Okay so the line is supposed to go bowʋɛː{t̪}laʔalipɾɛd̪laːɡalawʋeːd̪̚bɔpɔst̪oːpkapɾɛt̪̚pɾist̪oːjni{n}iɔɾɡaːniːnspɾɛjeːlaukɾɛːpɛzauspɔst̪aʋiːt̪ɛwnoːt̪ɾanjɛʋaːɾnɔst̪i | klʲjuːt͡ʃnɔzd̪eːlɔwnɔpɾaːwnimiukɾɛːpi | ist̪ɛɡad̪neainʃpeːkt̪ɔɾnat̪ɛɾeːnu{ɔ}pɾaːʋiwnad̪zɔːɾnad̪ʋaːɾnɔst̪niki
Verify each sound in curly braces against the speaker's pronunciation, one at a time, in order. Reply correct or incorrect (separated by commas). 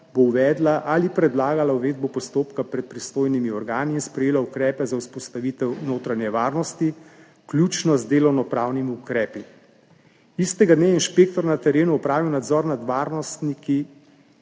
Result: incorrect, incorrect, correct